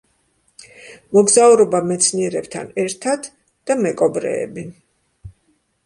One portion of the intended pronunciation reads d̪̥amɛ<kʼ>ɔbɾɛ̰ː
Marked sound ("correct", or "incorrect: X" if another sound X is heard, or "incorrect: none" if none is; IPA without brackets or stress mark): correct